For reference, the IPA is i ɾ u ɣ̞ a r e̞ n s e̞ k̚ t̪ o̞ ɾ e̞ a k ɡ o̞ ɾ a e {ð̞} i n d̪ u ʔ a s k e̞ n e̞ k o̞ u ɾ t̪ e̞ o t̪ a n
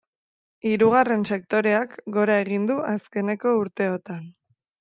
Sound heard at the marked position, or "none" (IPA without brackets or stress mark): ɣ̞